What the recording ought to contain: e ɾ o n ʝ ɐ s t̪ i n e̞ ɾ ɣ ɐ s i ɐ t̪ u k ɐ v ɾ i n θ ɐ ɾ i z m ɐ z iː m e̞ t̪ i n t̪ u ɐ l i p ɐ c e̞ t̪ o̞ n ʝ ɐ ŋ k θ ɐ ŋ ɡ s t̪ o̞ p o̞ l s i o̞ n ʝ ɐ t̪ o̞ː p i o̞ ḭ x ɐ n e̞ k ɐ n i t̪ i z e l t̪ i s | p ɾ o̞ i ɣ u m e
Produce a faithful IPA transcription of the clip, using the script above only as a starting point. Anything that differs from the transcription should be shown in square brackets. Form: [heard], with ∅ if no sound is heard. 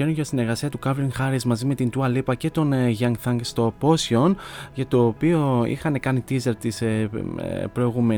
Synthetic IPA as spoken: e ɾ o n ʝ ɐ s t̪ i n e̞ ɾ ɣ ɐ s i ɐ t̪ u k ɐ v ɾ i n [x] ɐ ɾ i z m ɐ z [i] m e̞ t̪ i n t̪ u ɐ l i p ɐ c e̞ t̪ o̞ n ʝ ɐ ŋ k θ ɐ ŋ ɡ s t̪ o̞ p o̞ [∅] s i o̞ n ʝ ɐ t̪ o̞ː p i o̞ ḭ x ɐ n e̞ k ɐ n i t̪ i z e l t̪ i s | p ɾ o̞ i ɣ u m e